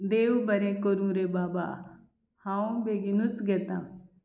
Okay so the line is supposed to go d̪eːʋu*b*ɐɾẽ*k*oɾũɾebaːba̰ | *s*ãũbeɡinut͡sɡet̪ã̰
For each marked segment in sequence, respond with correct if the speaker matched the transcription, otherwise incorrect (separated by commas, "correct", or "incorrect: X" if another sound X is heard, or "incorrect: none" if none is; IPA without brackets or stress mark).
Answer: correct, correct, incorrect: h